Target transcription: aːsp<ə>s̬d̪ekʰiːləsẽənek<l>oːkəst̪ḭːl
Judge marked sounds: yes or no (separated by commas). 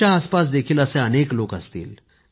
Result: no, yes